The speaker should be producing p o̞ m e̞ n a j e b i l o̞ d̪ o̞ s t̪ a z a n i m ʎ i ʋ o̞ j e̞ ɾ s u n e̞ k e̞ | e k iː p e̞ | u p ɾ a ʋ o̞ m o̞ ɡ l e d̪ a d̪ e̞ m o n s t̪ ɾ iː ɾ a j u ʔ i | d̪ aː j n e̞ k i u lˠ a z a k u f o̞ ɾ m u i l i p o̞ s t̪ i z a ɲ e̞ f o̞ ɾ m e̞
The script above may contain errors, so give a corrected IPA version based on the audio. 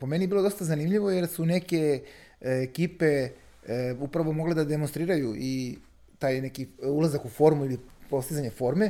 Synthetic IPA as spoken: p o̞ m e̞ n i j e b i l o̞ d̪ o̞ s t̪ a z a n i m ʎ i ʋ o̞ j e̞ ɾ s u n e̞ k e̞ | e k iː p e̞ | u p ɾ a ʋ o̞ m o̞ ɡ l e d̪ a d̪ e̞ m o n s t̪ ɾ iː ɾ a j u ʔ i | t̪ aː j n e̞ k i u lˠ a z a k u f o̞ ɾ m u i l i p o̞ s t̪ i z a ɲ e̞ f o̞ ɾ m e̞